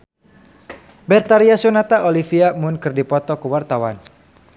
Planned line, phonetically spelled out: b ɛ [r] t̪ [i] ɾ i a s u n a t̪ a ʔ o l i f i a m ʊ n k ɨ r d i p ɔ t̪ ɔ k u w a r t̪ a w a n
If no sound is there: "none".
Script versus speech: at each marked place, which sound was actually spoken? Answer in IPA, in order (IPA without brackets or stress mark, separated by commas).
r, a